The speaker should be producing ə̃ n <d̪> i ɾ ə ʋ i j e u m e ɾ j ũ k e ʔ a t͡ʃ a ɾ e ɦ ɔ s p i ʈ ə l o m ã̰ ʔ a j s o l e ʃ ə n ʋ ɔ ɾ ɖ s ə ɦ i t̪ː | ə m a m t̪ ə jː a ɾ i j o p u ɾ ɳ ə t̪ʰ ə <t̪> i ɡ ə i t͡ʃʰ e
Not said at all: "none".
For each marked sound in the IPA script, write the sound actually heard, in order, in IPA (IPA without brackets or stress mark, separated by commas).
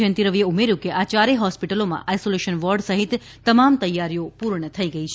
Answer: t̪, none